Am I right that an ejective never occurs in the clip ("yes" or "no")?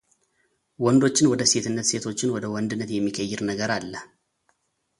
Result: yes